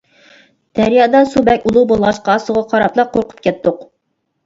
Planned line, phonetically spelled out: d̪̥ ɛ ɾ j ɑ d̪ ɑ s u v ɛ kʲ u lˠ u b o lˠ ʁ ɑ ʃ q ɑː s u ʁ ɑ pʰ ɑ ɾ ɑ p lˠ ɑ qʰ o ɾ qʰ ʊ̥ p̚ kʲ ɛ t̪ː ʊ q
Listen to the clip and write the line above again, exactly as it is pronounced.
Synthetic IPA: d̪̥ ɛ ɾ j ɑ d̪ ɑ s u b ɛ kʲ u lˠ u b o lˠ ʁ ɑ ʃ q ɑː s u ʁ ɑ qʰ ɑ ɾ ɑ p lˠ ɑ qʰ o ɾ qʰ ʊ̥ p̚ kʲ ɛ t̪ː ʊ q